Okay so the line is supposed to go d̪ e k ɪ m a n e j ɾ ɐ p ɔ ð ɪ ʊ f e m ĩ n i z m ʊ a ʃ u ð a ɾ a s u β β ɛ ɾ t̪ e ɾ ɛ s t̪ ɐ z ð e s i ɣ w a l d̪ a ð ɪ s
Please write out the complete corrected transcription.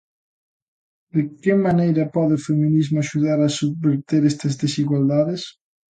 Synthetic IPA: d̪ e k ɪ m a n e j ɾ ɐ p ɔ ð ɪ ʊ f e m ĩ n i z m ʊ a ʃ u ð a ɾ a s u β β e ɾ t̪ e ɾ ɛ s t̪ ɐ z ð e s i ɣ w a l d̪ a ð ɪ s